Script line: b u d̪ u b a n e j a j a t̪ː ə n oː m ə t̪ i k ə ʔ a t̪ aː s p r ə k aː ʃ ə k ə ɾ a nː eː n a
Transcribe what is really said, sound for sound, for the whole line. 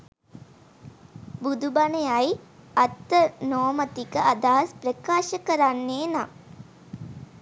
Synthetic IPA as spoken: b u d̪ u b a n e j a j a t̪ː ə n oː m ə t̪ i k ə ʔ a d̪ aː s p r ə k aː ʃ ə k ə ɾ a nː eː n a